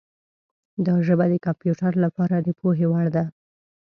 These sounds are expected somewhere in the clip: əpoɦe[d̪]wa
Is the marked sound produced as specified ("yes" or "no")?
no